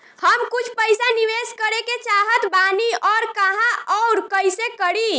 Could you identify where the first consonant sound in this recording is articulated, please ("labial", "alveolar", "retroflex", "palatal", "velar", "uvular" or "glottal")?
glottal